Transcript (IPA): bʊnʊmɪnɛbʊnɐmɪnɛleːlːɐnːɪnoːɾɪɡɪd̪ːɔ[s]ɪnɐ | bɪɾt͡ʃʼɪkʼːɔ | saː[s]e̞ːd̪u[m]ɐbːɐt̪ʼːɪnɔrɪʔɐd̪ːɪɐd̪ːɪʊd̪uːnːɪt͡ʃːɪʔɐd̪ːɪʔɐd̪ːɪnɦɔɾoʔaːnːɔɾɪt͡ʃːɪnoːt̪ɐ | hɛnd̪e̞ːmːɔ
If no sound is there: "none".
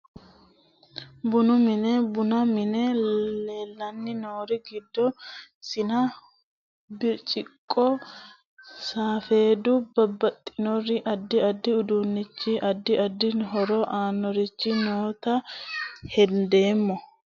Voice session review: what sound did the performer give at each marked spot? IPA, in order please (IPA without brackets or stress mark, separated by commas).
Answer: s, f, b